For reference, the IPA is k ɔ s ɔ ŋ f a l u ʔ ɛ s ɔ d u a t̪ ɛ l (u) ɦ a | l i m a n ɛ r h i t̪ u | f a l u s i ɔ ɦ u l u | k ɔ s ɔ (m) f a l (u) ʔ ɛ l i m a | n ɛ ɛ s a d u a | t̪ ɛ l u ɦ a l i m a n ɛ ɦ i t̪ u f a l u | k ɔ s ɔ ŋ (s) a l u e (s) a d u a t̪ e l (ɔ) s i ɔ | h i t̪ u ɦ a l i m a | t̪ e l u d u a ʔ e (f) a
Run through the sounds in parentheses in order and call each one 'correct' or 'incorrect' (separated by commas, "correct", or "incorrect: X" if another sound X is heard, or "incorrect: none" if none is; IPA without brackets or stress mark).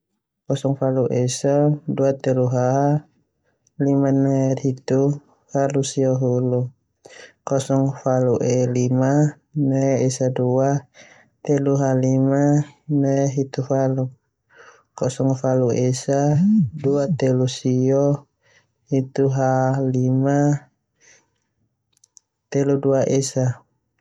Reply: correct, incorrect: ŋ, correct, incorrect: f, correct, incorrect: u, incorrect: s